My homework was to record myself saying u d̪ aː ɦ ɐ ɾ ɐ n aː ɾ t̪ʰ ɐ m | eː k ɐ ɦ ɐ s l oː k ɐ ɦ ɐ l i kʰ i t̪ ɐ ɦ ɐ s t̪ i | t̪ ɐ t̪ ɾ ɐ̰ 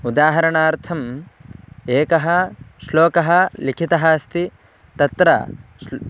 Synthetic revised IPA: u d̪ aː ɦ ɐ ɾ ɐ ɳ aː ɾ t̪ʰ ɐ m | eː k ɐ ɦ ɐ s l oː k ɐ ɦ ɐ l i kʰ i t̪ ɐ ɦ ɐ s t̪ i | t̪ ɐ t̪ ɾ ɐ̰